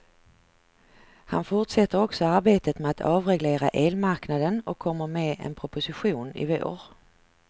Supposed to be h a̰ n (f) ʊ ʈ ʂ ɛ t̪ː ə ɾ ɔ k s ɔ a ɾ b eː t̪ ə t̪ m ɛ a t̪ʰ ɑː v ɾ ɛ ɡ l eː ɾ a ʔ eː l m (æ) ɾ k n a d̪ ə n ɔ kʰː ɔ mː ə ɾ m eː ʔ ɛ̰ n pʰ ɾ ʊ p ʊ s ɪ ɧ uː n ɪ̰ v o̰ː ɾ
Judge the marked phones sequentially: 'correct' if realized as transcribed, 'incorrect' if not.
correct, incorrect

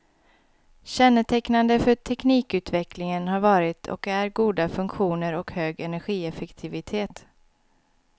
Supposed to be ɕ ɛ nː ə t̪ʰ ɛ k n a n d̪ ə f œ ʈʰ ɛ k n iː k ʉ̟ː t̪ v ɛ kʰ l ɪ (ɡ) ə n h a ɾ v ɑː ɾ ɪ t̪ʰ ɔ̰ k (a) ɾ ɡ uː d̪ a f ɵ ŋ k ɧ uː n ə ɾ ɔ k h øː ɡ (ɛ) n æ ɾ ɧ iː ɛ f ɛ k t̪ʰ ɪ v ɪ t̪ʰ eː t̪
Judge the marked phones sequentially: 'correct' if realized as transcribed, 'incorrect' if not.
incorrect, incorrect, correct

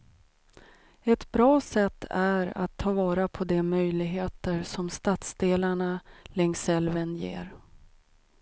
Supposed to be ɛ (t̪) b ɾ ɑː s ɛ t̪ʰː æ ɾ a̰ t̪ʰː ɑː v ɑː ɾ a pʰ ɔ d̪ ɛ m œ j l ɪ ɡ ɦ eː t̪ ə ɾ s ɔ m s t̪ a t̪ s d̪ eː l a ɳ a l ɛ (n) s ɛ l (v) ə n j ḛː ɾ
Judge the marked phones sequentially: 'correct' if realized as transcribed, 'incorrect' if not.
correct, incorrect, correct

